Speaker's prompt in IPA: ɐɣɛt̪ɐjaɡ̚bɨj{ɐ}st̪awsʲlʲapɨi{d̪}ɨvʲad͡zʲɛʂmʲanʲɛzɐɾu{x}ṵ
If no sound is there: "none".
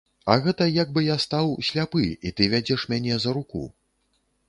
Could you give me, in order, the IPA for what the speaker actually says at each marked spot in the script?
a, t̪, k

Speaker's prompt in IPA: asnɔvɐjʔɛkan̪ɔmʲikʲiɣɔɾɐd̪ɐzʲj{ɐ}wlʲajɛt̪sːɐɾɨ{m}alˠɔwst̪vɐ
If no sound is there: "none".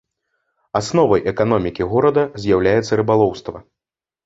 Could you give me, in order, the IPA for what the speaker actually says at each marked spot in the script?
a, b

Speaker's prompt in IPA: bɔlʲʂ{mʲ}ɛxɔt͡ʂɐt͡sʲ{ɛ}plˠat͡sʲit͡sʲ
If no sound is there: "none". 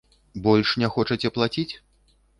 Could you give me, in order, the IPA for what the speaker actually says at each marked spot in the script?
nʲ, ɛ

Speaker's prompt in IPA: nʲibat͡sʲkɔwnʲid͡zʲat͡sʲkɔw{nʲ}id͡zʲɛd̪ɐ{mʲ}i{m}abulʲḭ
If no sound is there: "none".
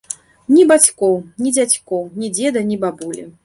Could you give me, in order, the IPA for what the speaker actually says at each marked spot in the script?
nʲ, nʲ, b

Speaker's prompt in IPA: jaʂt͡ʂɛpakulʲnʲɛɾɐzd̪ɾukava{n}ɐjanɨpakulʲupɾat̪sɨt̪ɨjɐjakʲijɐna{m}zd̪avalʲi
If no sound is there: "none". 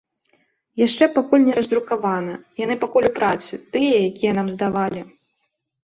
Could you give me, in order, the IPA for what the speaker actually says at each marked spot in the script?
n, m

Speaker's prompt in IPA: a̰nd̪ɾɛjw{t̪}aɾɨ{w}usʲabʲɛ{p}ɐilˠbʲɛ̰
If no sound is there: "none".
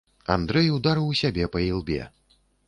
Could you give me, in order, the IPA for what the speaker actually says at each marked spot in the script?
d̪, w, p

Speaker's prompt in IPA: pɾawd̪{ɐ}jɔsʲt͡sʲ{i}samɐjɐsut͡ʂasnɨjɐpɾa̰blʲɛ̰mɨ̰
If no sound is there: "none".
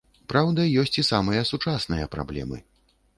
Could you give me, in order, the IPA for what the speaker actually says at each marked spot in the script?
ɐ, i

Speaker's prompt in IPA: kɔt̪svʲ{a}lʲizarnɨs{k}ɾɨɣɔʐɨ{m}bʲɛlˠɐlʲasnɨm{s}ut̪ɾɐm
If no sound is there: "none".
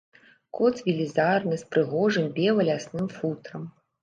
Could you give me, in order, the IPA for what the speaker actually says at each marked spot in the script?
i, p, m, f

